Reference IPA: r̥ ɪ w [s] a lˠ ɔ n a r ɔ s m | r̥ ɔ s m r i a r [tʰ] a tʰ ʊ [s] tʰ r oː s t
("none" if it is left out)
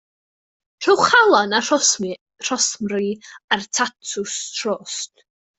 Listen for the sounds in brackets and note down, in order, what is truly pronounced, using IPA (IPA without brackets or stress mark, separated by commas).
χ, tʰ, s